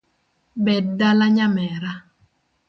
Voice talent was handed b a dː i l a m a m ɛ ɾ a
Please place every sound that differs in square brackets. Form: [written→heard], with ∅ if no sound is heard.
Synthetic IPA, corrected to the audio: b [a→ɛ] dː [i→a] l a [m→ɲ] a m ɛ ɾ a